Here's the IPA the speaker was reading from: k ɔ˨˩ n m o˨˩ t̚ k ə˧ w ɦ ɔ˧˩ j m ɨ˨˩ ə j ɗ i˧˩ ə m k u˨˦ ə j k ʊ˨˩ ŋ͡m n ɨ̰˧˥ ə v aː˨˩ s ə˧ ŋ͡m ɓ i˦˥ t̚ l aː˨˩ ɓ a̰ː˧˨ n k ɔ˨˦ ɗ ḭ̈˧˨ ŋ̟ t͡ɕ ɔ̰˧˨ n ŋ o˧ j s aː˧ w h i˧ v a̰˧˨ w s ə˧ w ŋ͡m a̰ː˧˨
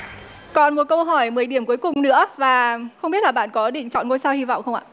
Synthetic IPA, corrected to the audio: k ɔ˨˩ n m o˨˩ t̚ k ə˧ w ɦ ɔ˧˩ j m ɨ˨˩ ə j ɗ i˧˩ ə m k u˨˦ ə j k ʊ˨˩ ŋ͡m n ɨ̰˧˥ ə v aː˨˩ x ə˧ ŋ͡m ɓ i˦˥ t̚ l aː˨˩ ɓ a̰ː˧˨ n k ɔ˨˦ ɗ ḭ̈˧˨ ŋ̟ t͡ɕ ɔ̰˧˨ n ŋ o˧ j s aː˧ w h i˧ v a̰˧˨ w x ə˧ w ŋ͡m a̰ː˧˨